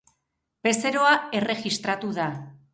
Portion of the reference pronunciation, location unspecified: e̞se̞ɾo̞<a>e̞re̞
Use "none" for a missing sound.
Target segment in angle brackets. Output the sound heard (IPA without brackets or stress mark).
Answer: a